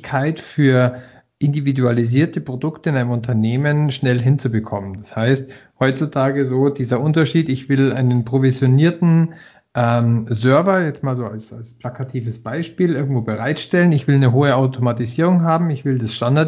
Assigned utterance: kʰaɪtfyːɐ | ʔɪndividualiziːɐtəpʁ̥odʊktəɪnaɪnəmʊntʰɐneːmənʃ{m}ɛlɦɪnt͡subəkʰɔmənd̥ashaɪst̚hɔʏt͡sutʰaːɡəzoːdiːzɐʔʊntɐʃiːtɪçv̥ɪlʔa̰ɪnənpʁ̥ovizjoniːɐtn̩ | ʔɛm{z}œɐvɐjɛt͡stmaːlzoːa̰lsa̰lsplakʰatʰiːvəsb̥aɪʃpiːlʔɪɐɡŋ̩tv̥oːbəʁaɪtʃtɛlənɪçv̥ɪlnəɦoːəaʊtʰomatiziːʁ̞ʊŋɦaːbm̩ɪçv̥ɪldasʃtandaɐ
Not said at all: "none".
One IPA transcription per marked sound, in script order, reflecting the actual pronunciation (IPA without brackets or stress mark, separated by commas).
n, z